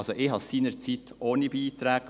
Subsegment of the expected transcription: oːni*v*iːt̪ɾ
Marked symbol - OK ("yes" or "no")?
no